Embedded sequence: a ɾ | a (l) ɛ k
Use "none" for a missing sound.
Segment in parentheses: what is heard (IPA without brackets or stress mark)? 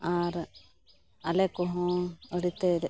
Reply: l